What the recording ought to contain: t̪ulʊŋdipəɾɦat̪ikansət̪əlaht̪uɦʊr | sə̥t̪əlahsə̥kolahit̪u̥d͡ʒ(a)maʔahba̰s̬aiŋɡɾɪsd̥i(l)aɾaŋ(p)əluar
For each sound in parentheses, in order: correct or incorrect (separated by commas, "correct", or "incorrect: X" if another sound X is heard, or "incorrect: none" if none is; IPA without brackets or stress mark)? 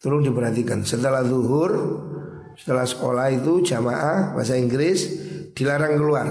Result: correct, correct, incorrect: k